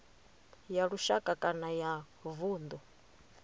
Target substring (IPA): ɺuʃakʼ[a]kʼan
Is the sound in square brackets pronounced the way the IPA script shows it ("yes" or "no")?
yes